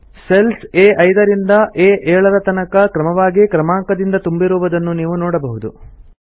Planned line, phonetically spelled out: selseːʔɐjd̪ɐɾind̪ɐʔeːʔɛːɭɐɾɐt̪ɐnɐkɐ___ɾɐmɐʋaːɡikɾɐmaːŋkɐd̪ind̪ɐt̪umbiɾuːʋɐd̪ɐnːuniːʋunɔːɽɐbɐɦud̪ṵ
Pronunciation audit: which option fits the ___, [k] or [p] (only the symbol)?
k